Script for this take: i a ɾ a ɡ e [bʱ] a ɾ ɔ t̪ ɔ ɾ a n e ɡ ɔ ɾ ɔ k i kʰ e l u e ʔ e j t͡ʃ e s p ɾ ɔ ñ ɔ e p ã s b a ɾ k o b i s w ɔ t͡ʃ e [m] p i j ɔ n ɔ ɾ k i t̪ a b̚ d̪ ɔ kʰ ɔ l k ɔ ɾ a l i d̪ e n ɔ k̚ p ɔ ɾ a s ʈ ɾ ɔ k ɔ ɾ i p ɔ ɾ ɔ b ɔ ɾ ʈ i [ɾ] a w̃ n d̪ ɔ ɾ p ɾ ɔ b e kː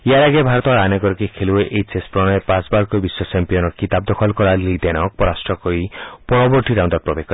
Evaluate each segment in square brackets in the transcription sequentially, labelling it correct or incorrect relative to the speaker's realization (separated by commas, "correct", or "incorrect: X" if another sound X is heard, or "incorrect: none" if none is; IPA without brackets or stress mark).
correct, correct, correct